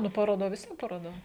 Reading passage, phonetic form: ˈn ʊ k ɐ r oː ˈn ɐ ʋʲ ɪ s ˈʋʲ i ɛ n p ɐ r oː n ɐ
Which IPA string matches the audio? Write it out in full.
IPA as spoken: ˈn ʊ p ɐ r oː ˈd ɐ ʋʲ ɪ s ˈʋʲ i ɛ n p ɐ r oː d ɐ